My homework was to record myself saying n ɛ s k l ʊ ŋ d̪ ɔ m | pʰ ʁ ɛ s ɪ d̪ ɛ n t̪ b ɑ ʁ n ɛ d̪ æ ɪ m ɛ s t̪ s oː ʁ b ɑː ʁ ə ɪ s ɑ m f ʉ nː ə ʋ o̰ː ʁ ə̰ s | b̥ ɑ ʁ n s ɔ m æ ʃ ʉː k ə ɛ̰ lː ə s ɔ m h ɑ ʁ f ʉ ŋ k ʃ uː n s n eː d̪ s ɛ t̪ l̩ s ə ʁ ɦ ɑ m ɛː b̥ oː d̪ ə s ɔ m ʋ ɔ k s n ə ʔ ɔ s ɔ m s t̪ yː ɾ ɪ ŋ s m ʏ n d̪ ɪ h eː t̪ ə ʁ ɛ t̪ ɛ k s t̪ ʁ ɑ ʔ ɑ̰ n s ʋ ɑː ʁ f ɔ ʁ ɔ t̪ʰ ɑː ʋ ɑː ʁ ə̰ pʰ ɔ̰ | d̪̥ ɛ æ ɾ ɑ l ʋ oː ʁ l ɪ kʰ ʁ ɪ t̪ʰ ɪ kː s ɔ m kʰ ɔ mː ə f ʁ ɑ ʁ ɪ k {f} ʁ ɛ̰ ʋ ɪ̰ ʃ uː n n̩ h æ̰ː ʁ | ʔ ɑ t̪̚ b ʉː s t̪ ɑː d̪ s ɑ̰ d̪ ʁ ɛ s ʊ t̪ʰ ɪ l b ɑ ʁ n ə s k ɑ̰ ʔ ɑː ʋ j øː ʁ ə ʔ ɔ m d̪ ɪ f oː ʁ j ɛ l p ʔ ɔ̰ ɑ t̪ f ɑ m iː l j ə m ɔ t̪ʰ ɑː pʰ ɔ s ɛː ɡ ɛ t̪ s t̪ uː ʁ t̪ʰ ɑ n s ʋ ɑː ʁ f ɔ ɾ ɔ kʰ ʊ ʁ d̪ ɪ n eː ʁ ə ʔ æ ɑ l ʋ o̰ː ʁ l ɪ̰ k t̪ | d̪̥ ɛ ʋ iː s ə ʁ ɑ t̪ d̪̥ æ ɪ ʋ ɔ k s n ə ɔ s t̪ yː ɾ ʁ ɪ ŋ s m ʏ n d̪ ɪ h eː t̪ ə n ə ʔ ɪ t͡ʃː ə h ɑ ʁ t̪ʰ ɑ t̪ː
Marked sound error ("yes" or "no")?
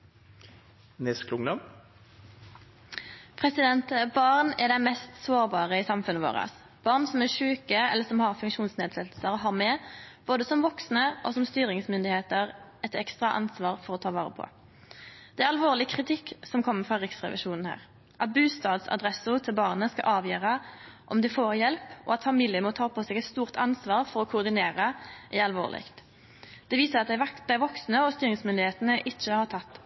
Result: yes